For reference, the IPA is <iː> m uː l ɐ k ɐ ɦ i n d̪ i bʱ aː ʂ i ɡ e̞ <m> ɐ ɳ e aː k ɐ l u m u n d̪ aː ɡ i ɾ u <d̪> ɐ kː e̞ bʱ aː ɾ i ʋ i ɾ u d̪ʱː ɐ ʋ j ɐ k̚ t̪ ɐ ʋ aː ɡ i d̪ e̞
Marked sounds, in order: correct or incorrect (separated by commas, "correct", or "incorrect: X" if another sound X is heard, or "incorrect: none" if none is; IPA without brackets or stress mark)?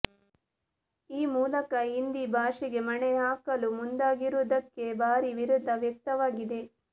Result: correct, correct, correct